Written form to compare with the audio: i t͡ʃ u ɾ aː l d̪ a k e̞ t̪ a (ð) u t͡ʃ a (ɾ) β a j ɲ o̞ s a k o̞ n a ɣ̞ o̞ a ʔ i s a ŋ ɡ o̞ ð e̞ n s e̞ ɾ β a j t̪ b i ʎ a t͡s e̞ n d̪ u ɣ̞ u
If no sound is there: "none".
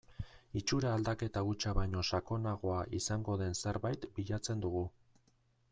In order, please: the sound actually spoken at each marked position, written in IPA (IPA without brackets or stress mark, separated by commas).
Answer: ɣ, none